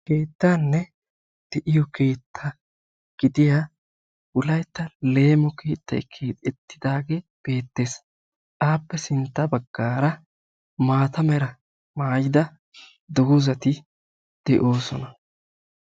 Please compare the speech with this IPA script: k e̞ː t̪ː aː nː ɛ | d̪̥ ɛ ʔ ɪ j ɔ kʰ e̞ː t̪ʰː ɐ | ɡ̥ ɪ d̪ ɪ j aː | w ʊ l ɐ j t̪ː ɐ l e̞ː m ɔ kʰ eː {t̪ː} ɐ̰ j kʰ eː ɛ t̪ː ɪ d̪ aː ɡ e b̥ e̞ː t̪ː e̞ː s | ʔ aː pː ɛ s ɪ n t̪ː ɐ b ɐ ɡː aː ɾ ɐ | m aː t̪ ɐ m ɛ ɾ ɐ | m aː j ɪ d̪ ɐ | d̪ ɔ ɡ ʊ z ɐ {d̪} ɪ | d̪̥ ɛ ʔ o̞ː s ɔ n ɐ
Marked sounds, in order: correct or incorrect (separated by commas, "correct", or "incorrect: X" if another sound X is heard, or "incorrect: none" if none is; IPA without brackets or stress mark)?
correct, incorrect: t̪